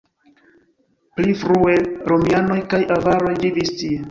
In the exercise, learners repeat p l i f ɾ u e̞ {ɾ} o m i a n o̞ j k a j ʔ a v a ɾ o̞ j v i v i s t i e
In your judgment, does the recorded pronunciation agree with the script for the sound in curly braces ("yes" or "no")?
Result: yes